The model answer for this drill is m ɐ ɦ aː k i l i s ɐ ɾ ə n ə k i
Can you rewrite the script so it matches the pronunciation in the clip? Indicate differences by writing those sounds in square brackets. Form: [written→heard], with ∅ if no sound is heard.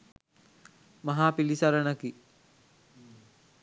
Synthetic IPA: m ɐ ɦ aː [k→p] i l i s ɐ ɾ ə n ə k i